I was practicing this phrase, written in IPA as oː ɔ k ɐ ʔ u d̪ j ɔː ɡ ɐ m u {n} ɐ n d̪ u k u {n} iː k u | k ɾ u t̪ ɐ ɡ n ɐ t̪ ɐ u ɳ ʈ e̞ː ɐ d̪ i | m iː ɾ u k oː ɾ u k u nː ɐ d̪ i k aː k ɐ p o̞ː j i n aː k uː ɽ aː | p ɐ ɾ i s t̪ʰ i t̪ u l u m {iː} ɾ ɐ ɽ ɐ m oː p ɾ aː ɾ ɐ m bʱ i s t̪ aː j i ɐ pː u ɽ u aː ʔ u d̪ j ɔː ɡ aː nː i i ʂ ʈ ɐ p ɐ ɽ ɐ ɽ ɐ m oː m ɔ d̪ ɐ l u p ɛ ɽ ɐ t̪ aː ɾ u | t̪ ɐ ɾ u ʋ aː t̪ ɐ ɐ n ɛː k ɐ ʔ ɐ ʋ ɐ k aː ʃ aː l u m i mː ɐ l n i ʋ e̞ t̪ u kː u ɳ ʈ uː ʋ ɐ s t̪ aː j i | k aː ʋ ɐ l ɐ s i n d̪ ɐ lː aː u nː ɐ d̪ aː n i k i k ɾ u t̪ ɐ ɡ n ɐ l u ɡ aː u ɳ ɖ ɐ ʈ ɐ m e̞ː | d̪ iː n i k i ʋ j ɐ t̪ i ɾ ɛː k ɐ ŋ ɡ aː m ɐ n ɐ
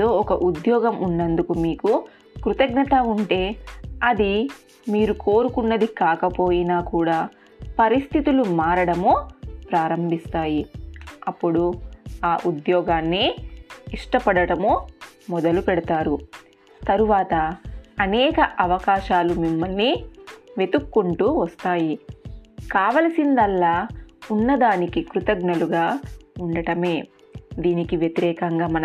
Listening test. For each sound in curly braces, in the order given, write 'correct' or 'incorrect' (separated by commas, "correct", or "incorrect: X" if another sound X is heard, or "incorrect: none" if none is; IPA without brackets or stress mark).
incorrect: nː, incorrect: m, incorrect: aː